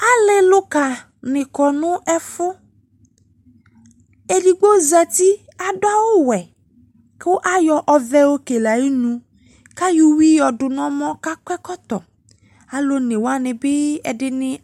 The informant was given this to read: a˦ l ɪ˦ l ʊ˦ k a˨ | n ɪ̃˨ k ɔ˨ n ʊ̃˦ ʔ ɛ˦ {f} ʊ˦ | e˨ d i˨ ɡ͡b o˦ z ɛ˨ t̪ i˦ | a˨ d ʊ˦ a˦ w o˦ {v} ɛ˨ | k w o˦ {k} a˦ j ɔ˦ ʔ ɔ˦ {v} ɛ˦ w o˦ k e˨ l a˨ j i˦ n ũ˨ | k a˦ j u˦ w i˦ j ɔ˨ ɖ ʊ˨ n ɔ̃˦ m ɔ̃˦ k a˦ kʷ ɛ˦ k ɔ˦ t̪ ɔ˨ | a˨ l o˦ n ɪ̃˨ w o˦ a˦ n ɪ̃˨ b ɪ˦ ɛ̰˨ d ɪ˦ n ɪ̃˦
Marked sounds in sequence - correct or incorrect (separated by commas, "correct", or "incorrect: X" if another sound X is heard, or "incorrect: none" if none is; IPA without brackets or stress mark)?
correct, incorrect: w, incorrect: ʔ, correct